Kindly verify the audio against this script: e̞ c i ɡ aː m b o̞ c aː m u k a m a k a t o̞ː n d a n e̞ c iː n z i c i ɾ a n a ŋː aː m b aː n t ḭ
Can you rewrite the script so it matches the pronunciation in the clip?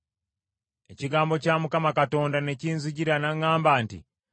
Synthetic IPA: e̞ c i ɡ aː m b o̞ c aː m u k a m a k a t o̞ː n d a n e̞ c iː n z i ɟ i ɾ a n a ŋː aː m b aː n t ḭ